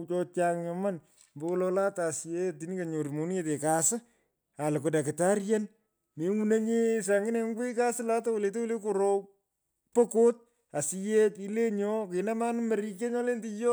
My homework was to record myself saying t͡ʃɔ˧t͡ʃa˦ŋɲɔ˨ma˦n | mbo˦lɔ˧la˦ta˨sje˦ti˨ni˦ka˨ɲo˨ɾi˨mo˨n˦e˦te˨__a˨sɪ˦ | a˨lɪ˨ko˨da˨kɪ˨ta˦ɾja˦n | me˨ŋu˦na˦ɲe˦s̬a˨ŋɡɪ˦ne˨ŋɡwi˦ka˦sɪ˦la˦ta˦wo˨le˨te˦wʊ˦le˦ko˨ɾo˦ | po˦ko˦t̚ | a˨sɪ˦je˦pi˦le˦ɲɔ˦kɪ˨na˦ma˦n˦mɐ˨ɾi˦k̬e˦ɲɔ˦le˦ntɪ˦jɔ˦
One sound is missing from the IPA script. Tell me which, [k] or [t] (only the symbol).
k